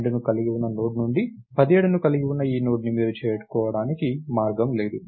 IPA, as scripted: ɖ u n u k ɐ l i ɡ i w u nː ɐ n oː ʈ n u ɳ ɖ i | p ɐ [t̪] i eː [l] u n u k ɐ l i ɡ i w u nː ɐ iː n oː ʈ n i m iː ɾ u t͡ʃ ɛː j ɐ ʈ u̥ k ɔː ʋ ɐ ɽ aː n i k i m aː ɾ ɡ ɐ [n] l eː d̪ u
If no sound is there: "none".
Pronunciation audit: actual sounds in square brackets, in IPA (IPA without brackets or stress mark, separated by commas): d̪, ɽ, m